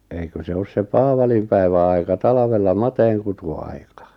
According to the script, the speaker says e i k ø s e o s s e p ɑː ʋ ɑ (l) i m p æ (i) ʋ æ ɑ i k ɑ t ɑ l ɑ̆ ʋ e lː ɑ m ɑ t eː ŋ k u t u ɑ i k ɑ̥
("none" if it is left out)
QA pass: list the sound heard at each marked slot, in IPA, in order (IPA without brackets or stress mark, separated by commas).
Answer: l, i